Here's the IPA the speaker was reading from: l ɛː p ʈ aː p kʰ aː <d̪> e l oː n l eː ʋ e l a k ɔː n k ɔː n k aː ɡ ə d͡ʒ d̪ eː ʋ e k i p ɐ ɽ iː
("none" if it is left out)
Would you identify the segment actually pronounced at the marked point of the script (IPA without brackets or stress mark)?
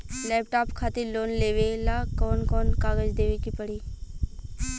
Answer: t̪